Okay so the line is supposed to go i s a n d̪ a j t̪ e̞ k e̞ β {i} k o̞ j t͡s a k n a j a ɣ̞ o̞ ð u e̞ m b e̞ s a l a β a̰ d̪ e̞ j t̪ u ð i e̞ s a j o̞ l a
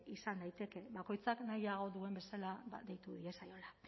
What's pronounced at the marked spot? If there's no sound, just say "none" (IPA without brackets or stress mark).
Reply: a